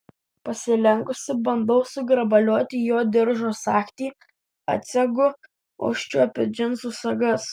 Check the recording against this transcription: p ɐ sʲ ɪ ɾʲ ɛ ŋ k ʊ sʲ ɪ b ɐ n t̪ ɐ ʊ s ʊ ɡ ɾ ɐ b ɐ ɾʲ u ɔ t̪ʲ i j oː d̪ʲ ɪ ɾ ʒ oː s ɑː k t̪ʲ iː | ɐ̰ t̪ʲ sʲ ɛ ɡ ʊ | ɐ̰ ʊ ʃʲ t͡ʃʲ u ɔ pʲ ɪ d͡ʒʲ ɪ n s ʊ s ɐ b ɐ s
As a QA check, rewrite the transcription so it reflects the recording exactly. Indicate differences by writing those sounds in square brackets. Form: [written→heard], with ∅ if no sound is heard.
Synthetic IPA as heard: p ɐ sʲ ɪ [ɾʲ→lʲ] ɛ ŋ k ʊ sʲ ɪ b ɐ n [t̪→d̪] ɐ ʊ s ʊ ɡ ɾ ɐ b ɐ [ɾʲ→lʲ] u ɔ t̪ʲ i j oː d̪ʲ ɪ ɾ ʒ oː s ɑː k t̪ʲ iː | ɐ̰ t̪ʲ sʲ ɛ ɡ ʊ | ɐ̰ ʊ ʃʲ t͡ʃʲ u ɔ pʲ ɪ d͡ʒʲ ɪ n s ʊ s ɐ [b→ɡ] ɐ s